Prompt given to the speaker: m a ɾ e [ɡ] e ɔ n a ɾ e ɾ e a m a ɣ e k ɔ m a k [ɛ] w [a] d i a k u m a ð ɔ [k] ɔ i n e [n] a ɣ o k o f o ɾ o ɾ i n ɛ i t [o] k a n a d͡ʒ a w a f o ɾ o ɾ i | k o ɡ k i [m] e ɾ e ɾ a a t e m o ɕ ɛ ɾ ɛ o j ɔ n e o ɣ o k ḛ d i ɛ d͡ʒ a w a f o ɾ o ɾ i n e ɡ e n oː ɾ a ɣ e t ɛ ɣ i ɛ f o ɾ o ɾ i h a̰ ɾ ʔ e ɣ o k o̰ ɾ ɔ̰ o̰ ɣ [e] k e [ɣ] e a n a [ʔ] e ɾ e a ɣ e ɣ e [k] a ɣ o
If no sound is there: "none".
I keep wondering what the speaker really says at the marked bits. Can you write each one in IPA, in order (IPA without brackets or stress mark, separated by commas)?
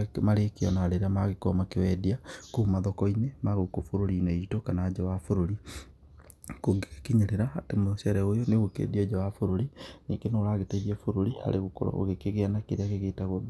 k, e, ɛ, k, m, o, ɲ, e, ɣ, k, t